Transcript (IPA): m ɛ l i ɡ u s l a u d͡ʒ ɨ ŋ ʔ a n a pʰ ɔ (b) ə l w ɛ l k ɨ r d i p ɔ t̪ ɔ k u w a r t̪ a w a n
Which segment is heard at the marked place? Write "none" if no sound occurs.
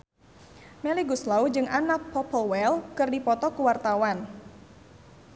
p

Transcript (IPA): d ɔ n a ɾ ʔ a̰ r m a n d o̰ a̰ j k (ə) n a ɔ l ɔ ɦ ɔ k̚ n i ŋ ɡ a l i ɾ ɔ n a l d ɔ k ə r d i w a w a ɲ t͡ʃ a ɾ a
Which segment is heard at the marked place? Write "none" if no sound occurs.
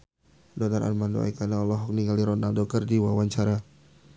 a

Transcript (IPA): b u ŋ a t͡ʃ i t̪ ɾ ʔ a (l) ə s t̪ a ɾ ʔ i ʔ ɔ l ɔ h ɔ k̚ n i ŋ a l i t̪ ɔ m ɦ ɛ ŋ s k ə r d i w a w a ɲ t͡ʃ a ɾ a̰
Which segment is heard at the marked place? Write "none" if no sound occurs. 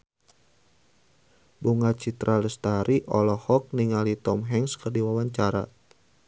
l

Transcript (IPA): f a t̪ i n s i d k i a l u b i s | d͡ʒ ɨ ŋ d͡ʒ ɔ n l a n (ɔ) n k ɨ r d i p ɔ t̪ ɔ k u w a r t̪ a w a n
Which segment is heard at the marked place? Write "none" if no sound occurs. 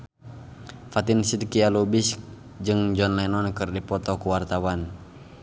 ɔ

